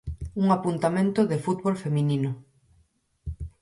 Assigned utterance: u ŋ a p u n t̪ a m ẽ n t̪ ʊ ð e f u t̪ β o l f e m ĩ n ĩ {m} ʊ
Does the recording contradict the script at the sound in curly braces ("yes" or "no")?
yes